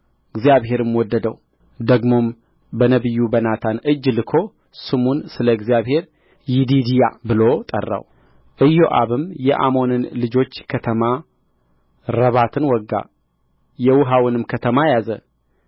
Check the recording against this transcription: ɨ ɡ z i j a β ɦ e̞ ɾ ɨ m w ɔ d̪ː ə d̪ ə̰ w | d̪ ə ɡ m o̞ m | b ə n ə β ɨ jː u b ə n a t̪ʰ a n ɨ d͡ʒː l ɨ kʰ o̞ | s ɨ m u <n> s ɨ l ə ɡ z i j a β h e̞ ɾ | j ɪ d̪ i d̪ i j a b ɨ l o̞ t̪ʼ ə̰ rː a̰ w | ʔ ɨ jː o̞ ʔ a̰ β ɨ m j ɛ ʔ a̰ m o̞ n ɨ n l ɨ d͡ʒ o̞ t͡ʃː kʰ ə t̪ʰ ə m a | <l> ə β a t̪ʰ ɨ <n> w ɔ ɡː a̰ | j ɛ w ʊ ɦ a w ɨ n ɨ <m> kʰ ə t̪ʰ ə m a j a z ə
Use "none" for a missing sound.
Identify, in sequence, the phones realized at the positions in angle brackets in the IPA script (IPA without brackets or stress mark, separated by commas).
n, ɾ, n, m